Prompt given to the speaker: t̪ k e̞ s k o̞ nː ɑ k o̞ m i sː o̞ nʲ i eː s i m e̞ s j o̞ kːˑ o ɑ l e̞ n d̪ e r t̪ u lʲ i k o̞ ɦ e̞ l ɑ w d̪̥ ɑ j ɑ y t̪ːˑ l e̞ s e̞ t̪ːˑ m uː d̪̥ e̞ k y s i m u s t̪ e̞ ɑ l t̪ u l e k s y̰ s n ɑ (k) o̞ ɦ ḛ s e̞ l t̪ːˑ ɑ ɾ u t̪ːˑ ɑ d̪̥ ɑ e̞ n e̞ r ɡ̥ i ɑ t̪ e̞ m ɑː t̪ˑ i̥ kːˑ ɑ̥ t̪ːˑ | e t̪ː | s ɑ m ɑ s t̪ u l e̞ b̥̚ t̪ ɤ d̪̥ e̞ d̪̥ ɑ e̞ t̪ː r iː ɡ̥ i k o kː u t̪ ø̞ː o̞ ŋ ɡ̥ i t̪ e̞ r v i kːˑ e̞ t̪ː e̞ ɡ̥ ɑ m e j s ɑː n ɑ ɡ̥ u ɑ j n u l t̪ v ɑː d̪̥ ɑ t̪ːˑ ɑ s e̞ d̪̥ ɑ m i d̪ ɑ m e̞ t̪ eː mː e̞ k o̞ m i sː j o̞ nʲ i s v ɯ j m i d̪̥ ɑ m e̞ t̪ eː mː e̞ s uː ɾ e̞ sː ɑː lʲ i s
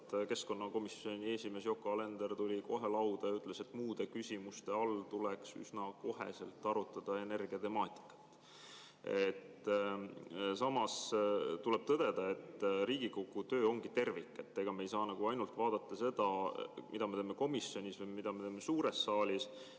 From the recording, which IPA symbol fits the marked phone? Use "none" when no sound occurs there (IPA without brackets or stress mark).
k